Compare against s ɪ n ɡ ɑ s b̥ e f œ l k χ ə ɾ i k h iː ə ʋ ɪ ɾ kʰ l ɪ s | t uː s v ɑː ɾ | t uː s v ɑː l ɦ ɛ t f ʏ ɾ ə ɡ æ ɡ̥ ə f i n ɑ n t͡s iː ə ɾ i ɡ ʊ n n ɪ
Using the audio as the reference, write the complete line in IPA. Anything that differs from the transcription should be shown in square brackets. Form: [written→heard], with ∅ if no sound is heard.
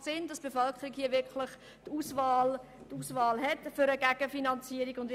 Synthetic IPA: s ɪ n [ɡ→d] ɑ s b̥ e f œ l k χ ə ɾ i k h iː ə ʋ ɪ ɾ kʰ l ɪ [s→χ] | t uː s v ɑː [ɾ→l] | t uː s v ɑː l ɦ ɛ t f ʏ ɾ ə ɡ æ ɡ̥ ə f i n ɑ n t͡s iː ə ɾ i ɡ ʊ n [n→d] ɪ